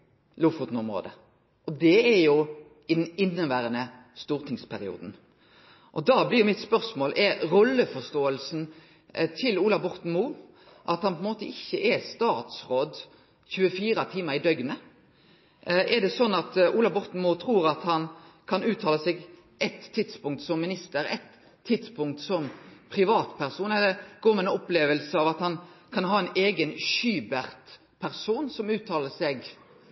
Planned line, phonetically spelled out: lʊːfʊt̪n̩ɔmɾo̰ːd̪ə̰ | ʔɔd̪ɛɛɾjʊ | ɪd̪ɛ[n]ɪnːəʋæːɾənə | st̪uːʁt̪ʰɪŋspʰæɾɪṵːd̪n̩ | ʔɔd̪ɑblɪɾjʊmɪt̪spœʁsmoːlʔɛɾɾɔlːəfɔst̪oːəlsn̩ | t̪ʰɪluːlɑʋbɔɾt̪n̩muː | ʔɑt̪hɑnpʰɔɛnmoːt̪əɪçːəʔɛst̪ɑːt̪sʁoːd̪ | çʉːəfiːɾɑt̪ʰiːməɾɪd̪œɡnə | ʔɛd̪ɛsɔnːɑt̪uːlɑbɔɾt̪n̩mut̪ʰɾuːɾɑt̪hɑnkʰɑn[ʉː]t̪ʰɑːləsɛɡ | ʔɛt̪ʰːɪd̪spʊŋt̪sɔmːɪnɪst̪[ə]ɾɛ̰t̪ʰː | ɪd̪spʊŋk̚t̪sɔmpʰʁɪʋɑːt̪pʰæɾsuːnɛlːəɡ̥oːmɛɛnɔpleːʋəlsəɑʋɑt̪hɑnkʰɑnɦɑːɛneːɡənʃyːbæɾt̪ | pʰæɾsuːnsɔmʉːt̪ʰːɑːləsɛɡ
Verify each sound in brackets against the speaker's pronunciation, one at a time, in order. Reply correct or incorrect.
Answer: correct, correct, correct

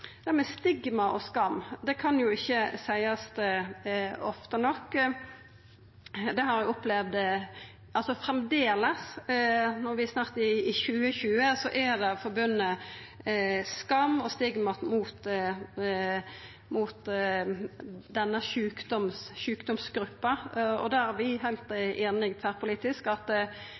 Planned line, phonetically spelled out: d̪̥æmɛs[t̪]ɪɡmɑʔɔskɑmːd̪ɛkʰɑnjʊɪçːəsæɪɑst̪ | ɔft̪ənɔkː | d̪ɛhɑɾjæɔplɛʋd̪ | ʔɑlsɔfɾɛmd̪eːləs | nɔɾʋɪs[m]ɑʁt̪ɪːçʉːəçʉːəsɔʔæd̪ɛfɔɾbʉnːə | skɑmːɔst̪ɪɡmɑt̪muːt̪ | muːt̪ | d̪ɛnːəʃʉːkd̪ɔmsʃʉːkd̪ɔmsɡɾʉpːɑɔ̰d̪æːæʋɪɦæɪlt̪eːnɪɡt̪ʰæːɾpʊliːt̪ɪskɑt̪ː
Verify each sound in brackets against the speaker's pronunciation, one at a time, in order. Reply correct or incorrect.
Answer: correct, incorrect: n

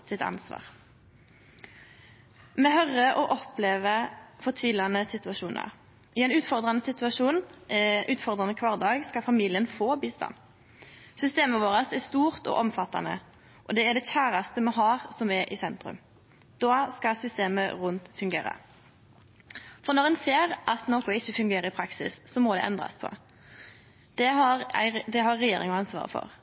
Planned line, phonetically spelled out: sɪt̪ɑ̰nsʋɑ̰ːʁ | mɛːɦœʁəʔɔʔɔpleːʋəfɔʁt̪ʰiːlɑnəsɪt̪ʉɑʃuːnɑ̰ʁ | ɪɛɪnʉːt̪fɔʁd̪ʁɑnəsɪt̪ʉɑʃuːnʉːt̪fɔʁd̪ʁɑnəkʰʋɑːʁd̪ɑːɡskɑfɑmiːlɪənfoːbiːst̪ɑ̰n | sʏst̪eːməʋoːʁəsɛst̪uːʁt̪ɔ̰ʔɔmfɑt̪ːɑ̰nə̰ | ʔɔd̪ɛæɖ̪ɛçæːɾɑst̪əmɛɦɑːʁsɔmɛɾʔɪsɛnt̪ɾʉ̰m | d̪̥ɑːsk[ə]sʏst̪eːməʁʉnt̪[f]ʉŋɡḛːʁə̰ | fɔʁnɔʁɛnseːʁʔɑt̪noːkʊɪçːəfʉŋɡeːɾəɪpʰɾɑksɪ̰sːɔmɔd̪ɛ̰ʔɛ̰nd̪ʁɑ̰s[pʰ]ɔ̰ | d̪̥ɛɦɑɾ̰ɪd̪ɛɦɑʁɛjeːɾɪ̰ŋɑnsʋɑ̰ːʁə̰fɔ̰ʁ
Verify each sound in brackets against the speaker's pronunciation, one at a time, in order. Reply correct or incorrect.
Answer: incorrect: ɑ, correct, correct

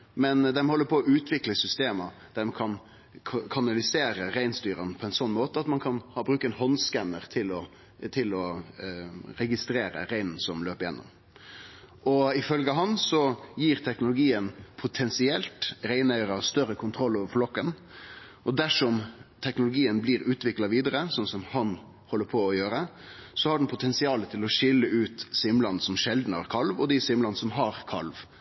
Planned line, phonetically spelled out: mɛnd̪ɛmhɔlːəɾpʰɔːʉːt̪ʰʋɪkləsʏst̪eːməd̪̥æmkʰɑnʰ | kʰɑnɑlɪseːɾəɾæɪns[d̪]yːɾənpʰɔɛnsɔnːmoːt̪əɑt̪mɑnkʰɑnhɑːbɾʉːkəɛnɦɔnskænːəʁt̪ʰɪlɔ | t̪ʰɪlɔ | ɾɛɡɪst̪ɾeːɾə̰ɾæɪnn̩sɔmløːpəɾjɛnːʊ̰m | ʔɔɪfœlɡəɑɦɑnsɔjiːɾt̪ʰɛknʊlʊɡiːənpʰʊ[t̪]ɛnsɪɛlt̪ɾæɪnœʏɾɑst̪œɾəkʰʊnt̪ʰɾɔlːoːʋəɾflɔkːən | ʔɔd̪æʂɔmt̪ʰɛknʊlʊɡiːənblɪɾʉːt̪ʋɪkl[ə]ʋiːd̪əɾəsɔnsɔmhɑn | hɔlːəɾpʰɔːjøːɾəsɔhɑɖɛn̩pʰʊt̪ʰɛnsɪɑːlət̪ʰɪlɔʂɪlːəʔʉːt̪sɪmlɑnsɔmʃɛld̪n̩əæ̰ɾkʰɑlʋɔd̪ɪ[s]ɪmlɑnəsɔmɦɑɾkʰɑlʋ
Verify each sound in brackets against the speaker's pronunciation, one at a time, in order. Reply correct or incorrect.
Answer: incorrect: t̪, incorrect: t̪ʰ, incorrect: ɑ, correct

